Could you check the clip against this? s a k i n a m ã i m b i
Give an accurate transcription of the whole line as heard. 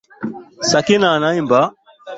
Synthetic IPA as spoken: s a k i n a n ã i m b a

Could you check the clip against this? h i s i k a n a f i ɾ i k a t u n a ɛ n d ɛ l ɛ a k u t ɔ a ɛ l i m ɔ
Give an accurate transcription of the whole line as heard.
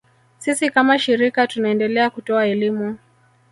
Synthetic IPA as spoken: s i s i k a m a ʃ i ɾ i k a t u n a ɛ n d ɛ l ɛ a k u t ɔ a ɛ l i m u

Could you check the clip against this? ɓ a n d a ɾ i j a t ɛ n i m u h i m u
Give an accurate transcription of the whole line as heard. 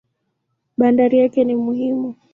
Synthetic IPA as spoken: ɓ a n d a ɾ i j a k ɛ n i m u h i m u

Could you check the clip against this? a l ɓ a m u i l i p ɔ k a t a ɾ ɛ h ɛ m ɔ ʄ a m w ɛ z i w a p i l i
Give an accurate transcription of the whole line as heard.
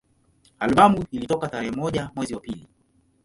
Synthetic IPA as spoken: a l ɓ a m u i l i t ɔ k a t a ɾ ɛ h ɛ m ɔ ʄ a m w ɛ z i w a p i l i

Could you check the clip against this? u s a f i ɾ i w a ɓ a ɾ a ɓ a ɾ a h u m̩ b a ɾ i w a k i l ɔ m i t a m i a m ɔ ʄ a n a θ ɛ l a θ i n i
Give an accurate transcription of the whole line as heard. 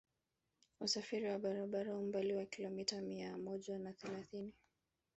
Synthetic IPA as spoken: u s a f i ɾ i w a ɓ a ɾ a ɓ a ɾ a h u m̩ b a l i w a k i l ɔ m i t a m i a m ɔ ʄ a n a θ ɛ l a θ i n i

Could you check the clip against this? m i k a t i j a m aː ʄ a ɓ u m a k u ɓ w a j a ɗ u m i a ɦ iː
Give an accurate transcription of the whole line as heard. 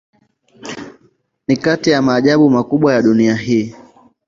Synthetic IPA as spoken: n i k a t i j a m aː ʄ a ɓ u m a k u ɓ w a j a ɗ u n i a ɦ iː

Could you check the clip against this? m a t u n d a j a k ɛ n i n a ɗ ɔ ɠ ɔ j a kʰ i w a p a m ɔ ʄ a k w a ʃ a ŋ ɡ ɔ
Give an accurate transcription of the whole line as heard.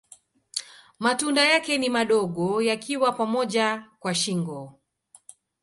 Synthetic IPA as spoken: m a t u n d a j a k ɛ n i m a ɗ ɔ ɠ ɔ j a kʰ i w a p a m ɔ ʄ a k w a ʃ i ŋ ɡ ɔ

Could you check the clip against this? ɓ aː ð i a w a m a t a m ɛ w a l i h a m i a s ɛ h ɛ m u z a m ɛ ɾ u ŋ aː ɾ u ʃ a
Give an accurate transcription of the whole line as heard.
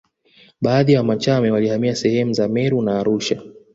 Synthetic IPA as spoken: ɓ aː ð i a w a m a t͡ʃ a m ɛ w a l i h a m i a s ɛ h ɛ m u z a m ɛ ɾ u n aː ɾ u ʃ a

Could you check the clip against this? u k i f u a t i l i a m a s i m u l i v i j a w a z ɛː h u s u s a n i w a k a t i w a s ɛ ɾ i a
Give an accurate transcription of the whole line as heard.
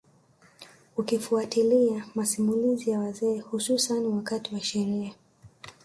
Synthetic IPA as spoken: u k i f u a t i l i a m a s i m u l i z i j a w a z ɛː h u s u s a n i w a k a t i w a ʃ ɛ ɾ i a

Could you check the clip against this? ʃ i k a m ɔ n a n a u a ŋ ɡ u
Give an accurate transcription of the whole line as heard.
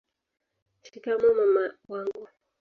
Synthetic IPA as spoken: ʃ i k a m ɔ m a m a w a ŋ ɡ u

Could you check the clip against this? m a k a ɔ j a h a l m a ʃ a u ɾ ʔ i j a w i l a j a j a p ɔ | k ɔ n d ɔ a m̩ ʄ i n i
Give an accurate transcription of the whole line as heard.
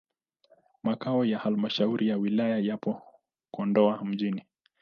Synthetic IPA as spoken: m a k a ɔ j a h a l m a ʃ a u ɾ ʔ i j a w i l a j a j a p ɔ | k ɔ n d ɔ a m̩ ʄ i n i

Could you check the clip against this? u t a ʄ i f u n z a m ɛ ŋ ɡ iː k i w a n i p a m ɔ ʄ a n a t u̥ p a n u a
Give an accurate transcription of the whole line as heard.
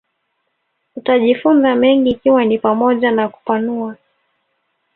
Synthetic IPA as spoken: u t a ʄ i f u n z a m ɛ ŋ ɡ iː k i w a n i p a m ɔ ʄ a n a k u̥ p a n u a

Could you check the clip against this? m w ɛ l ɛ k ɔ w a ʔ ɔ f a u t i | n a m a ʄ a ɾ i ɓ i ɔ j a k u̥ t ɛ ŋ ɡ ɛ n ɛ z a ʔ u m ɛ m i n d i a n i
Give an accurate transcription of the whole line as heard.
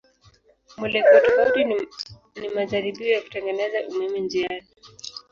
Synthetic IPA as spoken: m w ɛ l ɛ k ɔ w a t ɔ f a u t i | n i m a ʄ a ɾ i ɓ i ɔ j a k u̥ t ɛ ŋ ɡ ɛ n ɛ z a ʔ u m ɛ m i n d͡ʒ i a n i

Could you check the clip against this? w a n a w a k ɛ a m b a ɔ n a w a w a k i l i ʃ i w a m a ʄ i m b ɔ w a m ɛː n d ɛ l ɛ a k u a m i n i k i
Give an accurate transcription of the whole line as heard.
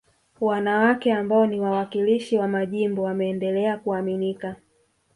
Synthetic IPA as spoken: w a n a w a k ɛ a m b a ɔ n i w a w a k i l i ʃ i w a m a ʄ i m b ɔ w a m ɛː n d ɛ l ɛ a k u a m i n i k a

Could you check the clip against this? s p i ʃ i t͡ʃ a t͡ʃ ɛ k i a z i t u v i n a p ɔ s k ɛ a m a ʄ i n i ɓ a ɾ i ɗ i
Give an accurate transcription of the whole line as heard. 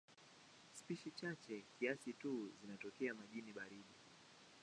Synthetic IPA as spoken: s p i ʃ i t͡ʃ a t͡ʃ ɛ k i a s i t u z i n a t ɔ k ɛ a m a ʄ i n i ɓ a ɾ i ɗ i

